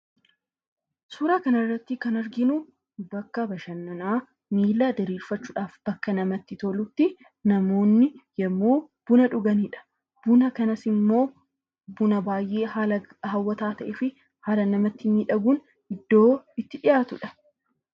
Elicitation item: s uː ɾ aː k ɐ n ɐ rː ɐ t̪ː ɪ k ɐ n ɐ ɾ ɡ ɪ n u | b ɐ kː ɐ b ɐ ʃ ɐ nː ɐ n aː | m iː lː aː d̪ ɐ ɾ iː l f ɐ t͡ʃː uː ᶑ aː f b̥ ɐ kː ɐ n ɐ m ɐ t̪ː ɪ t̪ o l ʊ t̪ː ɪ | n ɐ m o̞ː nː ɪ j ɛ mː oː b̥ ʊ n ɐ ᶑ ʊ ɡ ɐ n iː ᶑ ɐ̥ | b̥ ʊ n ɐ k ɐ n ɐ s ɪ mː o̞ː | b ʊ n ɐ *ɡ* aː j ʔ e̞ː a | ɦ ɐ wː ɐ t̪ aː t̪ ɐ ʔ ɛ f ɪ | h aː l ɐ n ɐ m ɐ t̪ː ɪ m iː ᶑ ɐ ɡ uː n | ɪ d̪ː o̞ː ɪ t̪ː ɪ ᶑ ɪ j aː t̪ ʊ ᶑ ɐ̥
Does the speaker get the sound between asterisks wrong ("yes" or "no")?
yes